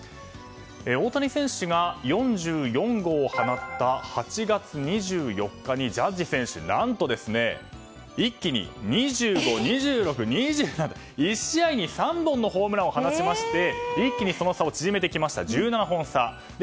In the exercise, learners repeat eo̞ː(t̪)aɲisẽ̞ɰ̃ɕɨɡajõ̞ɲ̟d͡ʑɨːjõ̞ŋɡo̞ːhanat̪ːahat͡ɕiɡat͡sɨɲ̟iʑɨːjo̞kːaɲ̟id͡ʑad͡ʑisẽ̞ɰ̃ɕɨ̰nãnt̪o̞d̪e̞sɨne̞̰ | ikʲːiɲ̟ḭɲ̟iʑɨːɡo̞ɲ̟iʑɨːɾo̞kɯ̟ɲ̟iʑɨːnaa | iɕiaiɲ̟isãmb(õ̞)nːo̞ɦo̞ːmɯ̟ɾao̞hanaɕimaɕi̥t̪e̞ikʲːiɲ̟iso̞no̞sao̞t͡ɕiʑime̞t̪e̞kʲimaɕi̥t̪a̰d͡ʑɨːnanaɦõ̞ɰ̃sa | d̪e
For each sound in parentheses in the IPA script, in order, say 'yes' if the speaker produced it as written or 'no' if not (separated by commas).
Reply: yes, yes